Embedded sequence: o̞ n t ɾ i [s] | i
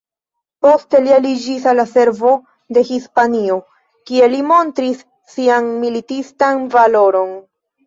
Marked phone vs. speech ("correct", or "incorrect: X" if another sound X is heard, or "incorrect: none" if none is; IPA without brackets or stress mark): incorrect: sː